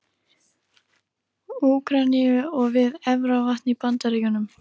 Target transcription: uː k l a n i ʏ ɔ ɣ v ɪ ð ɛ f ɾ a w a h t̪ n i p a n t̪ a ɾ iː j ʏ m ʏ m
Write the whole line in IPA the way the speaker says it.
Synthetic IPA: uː k ɾ a n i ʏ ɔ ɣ v ɪ ð ɛ v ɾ a v a h t̪ n i p a n t̪ a ɾ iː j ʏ n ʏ m